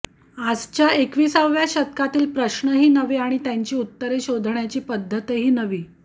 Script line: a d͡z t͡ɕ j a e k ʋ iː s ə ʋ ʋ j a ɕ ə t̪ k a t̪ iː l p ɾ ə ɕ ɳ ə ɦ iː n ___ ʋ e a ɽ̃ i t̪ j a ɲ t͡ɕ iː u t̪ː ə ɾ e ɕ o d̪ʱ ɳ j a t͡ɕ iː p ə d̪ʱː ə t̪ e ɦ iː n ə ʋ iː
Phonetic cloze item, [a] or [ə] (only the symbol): ə